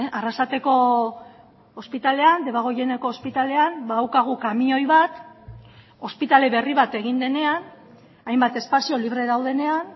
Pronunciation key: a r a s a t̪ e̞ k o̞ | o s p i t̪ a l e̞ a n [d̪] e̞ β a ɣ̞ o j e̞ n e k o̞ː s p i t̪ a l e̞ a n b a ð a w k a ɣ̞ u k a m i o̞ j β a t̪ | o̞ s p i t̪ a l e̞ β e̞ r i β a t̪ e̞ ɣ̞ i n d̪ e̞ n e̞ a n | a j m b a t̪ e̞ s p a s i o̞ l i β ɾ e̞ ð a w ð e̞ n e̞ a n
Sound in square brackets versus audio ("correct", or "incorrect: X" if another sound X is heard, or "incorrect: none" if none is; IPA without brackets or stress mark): correct